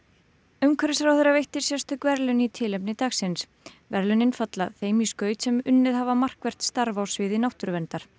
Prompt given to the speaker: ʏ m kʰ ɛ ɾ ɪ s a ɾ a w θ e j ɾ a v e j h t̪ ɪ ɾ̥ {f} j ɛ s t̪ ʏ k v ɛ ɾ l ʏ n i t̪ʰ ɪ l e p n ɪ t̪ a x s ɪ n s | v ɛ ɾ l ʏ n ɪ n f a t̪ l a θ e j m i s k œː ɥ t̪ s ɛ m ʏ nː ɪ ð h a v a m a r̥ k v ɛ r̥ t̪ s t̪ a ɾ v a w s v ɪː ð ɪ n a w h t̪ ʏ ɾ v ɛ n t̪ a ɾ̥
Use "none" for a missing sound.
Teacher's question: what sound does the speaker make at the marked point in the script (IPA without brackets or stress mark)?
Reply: s